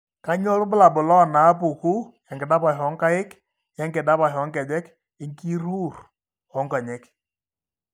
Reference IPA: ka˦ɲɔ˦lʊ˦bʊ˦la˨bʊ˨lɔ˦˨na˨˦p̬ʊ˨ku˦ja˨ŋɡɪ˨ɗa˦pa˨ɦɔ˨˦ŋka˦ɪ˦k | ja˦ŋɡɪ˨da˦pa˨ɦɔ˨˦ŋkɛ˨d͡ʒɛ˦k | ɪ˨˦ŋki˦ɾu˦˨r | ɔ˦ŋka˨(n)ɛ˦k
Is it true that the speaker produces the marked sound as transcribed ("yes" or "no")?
no